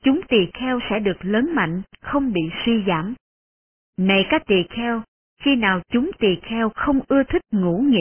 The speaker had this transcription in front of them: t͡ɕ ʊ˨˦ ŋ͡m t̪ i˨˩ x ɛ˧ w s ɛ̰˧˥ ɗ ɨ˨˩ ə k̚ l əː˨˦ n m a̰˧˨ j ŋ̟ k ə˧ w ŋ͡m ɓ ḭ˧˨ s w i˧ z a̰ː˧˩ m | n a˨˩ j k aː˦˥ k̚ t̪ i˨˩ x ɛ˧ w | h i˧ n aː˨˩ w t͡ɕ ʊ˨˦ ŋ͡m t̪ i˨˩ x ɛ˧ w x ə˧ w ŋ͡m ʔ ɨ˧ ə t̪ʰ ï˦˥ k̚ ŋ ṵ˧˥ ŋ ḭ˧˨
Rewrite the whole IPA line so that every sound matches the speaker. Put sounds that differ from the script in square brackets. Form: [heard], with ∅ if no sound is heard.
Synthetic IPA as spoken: t͡ɕ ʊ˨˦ ŋ͡m t̪ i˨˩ x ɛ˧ w s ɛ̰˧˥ ɗ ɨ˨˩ ə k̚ l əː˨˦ n m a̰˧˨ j ŋ̟ [x] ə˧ w ŋ͡m ɓ ḭ˧˨ s w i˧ z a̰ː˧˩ m | n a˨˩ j k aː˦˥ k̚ t̪ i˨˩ x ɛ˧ w | [x] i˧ n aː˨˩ w t͡ɕ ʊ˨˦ ŋ͡m t̪ i˨˩ x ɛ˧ w x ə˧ w ŋ͡m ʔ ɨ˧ ə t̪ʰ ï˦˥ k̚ ŋ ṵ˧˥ ŋ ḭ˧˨